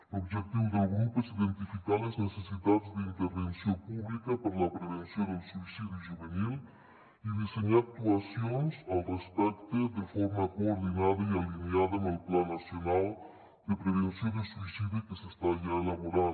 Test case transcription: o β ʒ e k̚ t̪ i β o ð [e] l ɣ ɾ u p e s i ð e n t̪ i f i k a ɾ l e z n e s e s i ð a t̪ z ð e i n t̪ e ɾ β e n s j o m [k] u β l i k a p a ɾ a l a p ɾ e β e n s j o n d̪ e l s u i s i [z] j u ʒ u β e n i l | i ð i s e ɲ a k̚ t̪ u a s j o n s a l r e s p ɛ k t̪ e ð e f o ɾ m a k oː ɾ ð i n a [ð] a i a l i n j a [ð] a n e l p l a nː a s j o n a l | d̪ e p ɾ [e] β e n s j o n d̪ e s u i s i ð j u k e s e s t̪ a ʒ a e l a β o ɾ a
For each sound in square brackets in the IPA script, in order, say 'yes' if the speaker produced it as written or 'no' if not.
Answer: yes, no, no, yes, yes, yes

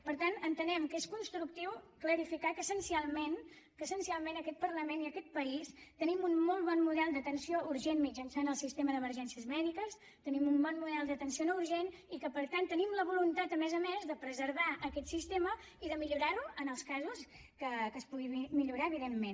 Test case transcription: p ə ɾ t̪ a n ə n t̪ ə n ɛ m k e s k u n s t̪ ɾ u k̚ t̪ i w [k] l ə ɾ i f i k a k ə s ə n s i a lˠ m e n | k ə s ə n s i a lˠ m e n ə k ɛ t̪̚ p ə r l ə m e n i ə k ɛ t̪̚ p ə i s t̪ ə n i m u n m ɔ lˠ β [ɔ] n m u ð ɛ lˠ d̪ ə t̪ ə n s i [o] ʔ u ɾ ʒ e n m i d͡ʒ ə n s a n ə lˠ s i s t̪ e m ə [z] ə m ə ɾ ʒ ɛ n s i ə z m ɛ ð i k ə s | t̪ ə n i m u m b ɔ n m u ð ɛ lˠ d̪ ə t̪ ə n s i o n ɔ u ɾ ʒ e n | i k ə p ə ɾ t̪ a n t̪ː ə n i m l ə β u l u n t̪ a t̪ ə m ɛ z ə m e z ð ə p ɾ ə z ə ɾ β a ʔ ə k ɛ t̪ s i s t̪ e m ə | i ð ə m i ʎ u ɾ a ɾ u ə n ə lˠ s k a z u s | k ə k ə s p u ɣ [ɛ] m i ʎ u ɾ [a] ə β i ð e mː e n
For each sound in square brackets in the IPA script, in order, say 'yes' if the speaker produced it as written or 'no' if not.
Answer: yes, yes, yes, no, no, yes

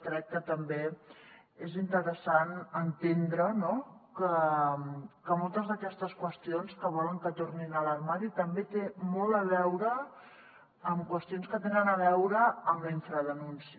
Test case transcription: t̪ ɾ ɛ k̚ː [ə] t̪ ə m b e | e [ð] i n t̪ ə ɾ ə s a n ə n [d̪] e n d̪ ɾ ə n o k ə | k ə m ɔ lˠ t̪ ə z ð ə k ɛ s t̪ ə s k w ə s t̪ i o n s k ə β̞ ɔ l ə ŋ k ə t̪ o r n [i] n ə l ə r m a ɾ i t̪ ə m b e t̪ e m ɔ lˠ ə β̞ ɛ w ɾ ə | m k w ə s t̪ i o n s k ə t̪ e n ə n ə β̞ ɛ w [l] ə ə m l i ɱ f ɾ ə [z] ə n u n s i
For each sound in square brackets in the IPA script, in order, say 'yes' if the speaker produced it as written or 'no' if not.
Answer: yes, no, no, yes, no, no

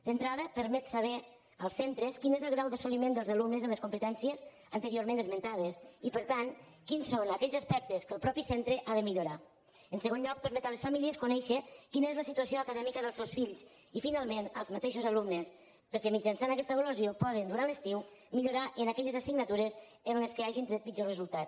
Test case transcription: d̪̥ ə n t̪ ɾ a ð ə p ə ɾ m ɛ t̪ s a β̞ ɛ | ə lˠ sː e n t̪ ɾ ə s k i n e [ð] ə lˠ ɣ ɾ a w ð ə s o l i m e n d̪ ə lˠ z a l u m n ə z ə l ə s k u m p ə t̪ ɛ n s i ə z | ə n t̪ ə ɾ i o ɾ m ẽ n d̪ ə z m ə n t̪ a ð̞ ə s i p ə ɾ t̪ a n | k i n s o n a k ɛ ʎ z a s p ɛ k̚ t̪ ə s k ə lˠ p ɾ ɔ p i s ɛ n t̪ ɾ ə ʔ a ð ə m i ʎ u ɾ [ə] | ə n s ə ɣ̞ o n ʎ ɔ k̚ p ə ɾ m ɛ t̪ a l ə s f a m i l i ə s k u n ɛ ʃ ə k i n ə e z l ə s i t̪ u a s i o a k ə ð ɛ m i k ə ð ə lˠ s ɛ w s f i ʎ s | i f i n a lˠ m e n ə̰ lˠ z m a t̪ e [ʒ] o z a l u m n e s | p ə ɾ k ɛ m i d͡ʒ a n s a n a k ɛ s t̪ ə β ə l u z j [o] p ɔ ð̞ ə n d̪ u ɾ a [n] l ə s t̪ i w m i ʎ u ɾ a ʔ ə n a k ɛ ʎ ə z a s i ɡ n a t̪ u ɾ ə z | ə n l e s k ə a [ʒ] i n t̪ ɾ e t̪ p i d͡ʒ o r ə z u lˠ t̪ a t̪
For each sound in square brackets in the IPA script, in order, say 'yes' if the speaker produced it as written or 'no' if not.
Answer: no, no, no, yes, yes, yes

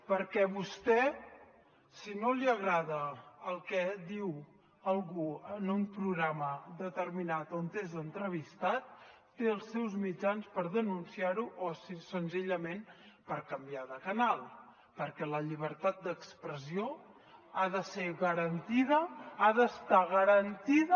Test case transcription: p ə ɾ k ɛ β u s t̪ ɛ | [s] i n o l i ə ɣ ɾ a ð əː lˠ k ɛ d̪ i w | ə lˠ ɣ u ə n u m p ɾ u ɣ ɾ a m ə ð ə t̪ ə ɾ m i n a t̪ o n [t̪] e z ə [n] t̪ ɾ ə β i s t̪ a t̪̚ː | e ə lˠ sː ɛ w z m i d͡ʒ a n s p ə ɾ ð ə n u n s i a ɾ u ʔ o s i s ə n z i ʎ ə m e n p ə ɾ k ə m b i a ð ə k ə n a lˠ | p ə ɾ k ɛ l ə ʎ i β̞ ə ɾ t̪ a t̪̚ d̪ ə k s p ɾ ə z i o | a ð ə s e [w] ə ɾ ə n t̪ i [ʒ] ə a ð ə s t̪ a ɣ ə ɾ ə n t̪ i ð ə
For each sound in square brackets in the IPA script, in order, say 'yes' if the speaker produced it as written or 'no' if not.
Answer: yes, yes, yes, no, no

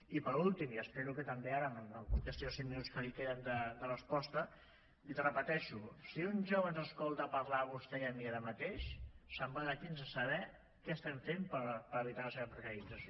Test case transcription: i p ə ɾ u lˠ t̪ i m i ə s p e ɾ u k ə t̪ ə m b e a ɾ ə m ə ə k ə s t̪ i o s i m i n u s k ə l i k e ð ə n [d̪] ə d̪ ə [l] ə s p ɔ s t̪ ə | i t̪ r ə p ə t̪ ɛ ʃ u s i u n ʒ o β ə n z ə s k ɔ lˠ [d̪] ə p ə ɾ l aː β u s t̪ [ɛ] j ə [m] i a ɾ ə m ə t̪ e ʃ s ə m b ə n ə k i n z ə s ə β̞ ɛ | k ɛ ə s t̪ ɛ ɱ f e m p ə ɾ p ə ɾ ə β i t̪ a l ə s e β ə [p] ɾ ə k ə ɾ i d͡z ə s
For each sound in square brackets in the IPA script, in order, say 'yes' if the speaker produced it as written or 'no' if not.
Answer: yes, no, no, yes, yes, yes

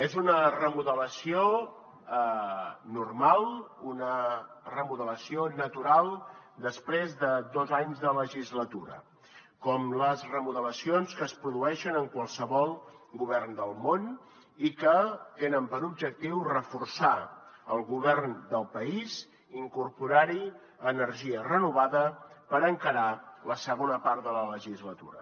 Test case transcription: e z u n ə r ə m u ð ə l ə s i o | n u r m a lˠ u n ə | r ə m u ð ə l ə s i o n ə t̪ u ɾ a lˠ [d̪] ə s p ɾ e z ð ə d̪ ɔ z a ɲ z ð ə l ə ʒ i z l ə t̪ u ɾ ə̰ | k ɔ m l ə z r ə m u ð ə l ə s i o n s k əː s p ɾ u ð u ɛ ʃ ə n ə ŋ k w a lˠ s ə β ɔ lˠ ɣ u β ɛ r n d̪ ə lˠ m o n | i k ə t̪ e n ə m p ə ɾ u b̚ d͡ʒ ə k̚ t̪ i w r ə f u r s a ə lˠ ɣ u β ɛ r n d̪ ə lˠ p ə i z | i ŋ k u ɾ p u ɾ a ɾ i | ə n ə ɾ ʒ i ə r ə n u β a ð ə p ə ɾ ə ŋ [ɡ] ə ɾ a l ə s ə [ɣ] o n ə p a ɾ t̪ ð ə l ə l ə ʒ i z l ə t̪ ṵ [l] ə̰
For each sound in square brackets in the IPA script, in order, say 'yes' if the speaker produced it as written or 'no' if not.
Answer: yes, no, yes, no

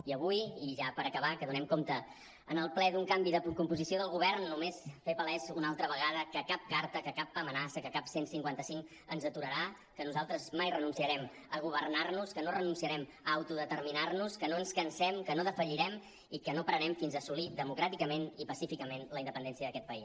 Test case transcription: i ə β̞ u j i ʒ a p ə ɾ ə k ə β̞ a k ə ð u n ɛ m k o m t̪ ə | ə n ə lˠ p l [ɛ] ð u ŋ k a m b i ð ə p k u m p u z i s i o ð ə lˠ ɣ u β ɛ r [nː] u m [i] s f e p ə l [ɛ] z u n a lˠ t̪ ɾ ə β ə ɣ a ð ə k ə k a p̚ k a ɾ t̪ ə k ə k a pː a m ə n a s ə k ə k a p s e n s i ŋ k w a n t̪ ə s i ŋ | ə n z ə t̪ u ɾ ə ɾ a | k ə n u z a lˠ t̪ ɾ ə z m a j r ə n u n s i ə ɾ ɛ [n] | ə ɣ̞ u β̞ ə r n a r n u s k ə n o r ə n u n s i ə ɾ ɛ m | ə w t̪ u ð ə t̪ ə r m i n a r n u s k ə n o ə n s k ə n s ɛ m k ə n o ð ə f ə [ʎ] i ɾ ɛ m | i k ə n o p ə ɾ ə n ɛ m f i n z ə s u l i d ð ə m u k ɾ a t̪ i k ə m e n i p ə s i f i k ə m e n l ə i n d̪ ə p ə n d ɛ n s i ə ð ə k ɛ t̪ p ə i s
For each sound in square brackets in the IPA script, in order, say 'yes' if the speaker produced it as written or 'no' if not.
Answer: yes, yes, no, yes, no, yes

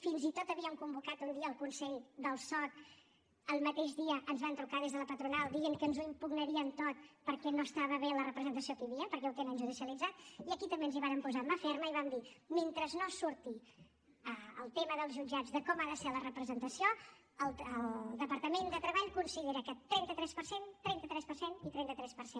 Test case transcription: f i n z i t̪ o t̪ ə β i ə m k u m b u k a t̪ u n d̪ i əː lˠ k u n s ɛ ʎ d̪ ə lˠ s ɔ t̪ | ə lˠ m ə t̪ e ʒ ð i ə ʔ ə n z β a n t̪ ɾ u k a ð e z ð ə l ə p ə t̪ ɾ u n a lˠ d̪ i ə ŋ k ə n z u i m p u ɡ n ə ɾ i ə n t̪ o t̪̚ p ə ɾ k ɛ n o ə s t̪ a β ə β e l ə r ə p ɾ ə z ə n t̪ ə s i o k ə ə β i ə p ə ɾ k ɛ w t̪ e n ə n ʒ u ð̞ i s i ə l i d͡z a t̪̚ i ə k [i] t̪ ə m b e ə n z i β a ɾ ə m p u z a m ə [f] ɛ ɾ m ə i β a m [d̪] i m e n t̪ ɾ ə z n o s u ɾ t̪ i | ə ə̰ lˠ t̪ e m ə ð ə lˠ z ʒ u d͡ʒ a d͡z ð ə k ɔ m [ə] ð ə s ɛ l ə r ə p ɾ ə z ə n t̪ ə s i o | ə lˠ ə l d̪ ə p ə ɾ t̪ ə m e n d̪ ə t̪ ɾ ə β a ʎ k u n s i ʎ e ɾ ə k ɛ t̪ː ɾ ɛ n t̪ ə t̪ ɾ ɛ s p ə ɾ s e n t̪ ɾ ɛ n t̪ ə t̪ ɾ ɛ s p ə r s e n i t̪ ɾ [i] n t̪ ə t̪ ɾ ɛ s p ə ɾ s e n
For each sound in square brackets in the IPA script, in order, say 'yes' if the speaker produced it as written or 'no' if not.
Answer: yes, yes, yes, no, no

